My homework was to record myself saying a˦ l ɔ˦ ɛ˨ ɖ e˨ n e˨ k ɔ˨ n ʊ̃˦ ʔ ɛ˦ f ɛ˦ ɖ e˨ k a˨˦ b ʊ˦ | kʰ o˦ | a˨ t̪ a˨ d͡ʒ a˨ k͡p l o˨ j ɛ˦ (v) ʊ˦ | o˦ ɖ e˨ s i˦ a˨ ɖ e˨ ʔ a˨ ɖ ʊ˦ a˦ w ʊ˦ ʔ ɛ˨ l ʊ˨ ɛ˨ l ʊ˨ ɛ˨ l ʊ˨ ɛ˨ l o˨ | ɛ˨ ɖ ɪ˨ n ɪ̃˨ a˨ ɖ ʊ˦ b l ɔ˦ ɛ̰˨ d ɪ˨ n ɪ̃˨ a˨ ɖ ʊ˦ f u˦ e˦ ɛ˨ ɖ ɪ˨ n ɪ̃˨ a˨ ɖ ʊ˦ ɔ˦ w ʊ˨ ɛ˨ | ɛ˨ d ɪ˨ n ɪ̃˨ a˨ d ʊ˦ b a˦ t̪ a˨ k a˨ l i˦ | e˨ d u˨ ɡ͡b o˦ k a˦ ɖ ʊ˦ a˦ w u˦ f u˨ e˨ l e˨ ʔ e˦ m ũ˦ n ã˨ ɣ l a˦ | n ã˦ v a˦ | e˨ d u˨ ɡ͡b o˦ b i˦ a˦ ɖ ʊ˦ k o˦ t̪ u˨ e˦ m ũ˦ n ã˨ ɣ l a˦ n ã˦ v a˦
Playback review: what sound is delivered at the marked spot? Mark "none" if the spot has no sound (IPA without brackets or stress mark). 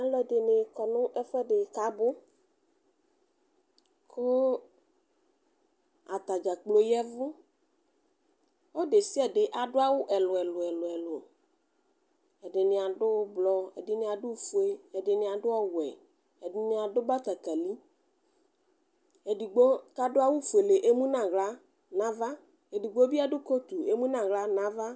v